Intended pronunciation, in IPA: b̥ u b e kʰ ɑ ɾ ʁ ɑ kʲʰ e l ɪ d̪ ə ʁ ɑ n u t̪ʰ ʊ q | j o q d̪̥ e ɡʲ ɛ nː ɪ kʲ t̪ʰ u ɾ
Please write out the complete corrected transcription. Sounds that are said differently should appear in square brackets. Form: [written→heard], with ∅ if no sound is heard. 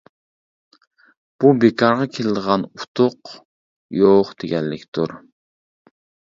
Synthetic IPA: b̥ u b e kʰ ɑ ɾ ʁ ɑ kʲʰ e l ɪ d̪ ə ʁ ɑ n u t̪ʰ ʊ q | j o q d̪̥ e ɡʲ ɛ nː ɪ kʲ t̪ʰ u ɾ